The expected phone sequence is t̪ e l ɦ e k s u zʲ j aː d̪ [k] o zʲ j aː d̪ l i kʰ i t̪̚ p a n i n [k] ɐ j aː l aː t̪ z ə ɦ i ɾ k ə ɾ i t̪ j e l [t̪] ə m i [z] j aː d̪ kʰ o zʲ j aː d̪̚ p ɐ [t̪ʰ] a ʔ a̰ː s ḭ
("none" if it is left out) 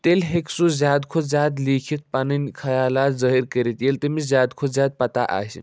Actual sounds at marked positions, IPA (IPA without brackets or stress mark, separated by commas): kʰ, kʰ, t̪, z, t̪